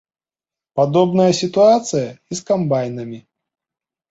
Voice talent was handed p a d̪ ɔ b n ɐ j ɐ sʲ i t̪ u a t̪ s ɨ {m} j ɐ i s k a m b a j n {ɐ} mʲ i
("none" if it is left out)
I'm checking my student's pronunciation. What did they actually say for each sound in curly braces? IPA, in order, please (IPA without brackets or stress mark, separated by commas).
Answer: none, ɐ